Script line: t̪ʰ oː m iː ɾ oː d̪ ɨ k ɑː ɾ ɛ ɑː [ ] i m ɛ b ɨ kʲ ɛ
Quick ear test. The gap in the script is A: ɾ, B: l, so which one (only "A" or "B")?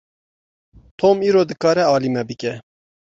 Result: B